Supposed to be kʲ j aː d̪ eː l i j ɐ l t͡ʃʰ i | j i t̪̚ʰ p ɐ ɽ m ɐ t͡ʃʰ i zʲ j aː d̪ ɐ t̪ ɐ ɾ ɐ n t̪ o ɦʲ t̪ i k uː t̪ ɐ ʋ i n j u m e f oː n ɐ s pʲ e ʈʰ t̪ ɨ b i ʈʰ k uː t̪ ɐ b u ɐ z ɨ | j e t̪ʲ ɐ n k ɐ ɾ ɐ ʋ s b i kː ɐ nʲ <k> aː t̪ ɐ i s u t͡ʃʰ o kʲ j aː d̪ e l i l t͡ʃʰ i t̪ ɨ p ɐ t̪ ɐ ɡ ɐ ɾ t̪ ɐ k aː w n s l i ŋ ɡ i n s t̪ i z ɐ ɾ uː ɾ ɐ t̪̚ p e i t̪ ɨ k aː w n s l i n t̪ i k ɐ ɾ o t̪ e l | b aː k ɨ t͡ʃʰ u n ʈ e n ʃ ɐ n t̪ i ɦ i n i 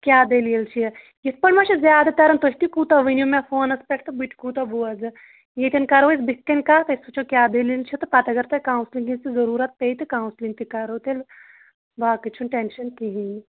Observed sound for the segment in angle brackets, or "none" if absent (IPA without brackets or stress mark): k